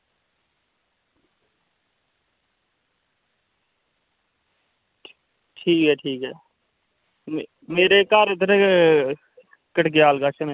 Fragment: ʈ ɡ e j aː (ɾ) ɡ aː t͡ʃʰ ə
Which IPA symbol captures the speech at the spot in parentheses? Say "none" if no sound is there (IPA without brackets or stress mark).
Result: l